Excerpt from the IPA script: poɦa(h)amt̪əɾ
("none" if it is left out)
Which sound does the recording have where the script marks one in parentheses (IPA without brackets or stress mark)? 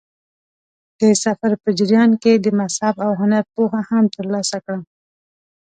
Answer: h